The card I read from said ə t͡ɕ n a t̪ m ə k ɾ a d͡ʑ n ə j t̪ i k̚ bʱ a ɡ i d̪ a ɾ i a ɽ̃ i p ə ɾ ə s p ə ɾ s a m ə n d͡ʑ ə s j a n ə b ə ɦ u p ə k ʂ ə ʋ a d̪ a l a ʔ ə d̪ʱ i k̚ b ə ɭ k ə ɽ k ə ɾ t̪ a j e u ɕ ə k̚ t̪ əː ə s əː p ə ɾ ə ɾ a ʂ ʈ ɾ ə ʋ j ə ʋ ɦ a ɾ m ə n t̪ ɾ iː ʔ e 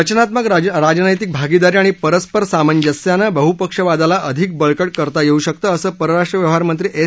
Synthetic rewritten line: ə t͡ɕ n a t̪ m ə k ɾ a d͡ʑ n ə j t̪ i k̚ bʱ a ɡ i d̪ a ɾ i a ɽ̃ i p ə ɾ ə s p ə ɾ s a m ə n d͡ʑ ə s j a n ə b ə ɦ u p ə k ʂ ə ʋ a d̪ a l a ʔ ə d̪ʱ i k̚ b ə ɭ k ə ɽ k ə ɾ t̪ a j e u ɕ ə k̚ t̪ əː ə s əː p ə ɾ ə ɾ a ʂ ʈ ɾ ə ʋ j ə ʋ ɦ a ɾ m ə n t̪ ɾ iː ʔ e